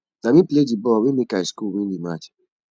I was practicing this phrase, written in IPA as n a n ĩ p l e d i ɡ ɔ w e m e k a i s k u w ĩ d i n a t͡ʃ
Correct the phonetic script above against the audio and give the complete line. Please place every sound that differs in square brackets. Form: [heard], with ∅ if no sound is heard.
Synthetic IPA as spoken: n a [m] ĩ p l e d i [b] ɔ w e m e k a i s k u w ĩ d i [m] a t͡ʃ